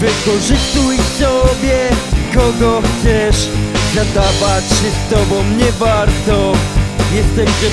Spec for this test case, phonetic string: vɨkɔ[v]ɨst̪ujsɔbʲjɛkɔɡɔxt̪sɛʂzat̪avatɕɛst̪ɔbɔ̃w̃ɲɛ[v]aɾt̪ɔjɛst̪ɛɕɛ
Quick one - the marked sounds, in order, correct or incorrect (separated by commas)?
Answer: incorrect, correct